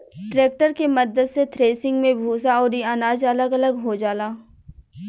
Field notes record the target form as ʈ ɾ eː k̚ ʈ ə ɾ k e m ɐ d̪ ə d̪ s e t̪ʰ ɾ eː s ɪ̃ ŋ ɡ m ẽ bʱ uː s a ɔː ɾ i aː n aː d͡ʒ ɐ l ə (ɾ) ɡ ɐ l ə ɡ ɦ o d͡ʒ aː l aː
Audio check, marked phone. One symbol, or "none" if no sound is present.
none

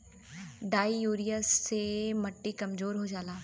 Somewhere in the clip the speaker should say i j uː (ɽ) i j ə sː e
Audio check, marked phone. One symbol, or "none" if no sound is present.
ɾ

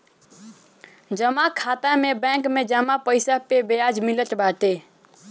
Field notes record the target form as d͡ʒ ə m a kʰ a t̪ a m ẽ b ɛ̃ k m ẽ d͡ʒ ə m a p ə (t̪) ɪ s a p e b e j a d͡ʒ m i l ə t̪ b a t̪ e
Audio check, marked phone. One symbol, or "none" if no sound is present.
none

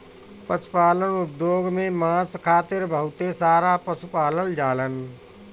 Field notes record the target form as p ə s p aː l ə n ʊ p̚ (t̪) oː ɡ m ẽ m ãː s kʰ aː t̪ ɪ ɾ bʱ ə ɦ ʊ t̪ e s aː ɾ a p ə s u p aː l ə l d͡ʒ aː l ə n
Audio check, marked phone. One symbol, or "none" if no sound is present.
d̪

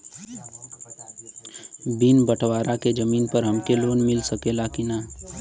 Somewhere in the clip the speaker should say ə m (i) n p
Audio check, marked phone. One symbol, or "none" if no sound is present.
iː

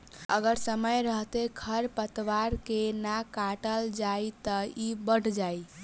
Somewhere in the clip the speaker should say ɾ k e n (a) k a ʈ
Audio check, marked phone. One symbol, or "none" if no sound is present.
a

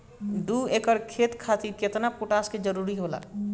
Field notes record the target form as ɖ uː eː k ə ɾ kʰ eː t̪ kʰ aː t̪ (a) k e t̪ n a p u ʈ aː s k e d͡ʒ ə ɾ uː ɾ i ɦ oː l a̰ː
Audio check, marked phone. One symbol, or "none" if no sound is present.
i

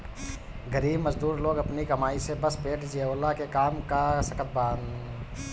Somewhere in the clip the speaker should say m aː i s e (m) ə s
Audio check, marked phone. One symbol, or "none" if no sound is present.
b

